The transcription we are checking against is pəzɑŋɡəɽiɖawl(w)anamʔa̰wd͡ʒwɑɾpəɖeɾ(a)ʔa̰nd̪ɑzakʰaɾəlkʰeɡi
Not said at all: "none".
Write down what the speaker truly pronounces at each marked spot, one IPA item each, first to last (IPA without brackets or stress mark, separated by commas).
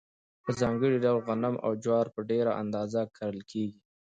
ɣ, a